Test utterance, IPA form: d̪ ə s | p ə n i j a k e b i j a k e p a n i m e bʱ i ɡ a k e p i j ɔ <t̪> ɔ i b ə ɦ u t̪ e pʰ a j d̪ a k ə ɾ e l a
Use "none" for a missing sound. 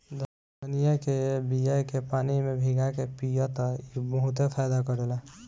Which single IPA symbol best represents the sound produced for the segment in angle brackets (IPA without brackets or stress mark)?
t̪